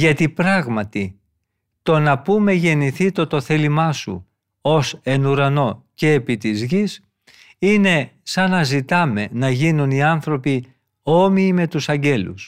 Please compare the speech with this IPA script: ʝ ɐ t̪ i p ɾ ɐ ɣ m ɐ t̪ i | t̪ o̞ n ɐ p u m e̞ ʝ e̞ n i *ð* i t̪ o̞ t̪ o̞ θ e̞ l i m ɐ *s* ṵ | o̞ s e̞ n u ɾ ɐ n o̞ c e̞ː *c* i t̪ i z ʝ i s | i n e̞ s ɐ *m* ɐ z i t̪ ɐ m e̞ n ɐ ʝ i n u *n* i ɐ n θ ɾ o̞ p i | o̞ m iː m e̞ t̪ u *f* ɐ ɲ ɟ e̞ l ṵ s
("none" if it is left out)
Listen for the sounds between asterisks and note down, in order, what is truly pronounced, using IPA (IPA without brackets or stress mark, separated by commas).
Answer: θ, s, p, n, n, s